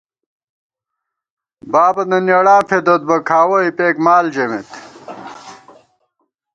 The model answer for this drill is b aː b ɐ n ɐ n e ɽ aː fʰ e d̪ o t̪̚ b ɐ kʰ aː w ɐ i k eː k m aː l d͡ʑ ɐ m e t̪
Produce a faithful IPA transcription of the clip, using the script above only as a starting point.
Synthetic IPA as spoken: b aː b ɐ n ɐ n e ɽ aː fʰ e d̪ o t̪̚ b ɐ kʰ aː w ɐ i p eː k m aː l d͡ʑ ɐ m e t̪